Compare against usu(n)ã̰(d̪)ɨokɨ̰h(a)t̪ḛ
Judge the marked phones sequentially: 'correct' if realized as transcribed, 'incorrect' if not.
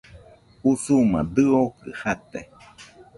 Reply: incorrect: m, correct, correct

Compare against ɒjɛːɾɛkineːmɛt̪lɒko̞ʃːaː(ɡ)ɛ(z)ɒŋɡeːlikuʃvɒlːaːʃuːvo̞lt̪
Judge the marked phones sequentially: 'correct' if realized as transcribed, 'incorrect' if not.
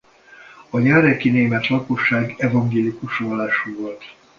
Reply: correct, incorrect: v

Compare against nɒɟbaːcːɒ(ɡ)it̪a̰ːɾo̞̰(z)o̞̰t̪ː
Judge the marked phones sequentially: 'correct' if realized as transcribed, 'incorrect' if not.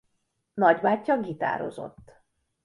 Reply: correct, correct

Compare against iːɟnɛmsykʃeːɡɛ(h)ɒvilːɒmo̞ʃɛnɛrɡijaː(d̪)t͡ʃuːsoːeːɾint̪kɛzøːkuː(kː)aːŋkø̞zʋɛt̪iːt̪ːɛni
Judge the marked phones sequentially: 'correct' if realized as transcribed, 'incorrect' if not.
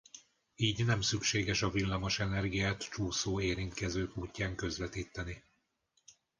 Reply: incorrect: ʃ, incorrect: t̪, incorrect: cː

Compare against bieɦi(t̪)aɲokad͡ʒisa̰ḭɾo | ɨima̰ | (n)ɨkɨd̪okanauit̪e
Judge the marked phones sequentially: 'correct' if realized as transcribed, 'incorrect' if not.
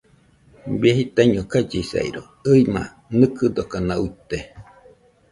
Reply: correct, correct

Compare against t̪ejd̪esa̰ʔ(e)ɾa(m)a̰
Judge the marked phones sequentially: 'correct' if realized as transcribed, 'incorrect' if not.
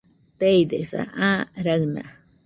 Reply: incorrect: a, incorrect: n

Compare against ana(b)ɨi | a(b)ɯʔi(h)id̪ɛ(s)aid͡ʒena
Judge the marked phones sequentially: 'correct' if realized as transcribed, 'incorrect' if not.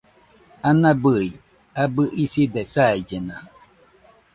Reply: correct, correct, incorrect: s, correct

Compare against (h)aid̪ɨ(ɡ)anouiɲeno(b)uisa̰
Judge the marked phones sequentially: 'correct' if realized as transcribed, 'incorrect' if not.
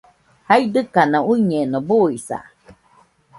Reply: correct, incorrect: k, correct

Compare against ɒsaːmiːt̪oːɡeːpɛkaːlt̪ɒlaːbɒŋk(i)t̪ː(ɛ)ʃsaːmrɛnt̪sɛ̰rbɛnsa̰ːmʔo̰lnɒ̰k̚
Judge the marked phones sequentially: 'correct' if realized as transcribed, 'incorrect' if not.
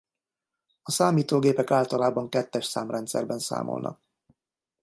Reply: incorrect: ɛ, correct

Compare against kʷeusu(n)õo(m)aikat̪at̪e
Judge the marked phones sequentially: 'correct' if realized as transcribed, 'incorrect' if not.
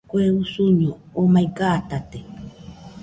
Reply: incorrect: ɲ, correct

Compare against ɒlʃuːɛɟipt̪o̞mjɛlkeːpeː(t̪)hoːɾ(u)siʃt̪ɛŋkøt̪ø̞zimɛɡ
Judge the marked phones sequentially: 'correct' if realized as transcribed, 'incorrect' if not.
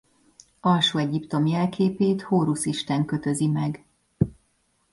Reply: correct, correct

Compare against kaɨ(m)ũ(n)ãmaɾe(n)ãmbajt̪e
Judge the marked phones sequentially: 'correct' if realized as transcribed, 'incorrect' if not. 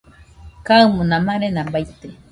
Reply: correct, correct, correct

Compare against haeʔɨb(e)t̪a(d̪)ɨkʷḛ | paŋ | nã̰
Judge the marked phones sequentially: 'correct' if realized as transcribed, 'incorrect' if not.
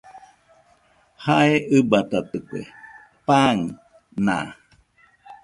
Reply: incorrect: a, incorrect: t̪

